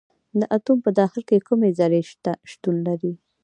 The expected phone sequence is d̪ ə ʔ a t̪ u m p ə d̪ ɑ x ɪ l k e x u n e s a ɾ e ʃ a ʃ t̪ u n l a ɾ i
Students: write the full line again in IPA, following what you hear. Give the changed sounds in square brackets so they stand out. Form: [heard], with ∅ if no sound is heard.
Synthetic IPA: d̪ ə ʔ a t̪ u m p ə d̪ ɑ x ɪ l k e [k] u [m] e [z] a ɾ e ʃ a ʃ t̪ u n l a ɾ i